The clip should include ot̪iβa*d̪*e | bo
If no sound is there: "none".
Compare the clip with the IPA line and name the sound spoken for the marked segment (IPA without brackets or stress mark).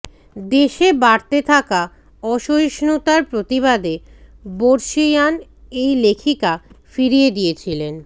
d̪